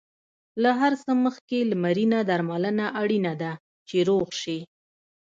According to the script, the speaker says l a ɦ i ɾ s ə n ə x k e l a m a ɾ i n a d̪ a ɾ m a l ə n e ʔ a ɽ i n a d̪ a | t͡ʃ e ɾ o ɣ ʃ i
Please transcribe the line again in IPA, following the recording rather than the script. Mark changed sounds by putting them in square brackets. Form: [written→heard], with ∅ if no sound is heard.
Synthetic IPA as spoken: l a ɦ [i→a] ɾ s ə [n→m] ə x k e l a m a ɾ i n a d̪ a ɾ m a l ə n [e→a] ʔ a ɽ i n a d̪ a | t͡ʃ e ɾ o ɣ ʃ i